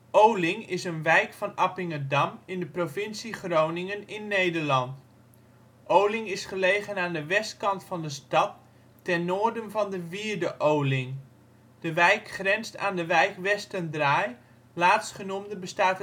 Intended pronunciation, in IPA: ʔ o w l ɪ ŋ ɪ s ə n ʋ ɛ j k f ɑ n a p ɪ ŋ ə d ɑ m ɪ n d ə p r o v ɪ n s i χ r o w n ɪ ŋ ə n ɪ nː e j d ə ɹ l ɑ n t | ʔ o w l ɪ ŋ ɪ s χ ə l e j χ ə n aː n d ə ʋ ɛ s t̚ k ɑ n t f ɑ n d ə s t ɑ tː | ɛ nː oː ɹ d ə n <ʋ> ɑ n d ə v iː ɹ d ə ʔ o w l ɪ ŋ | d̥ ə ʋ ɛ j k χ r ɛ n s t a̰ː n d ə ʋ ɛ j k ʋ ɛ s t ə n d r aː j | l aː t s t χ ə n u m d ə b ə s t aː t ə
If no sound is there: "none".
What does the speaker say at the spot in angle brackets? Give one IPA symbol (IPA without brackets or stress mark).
v